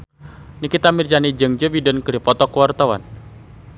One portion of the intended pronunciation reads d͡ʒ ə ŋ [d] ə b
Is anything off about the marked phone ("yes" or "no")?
yes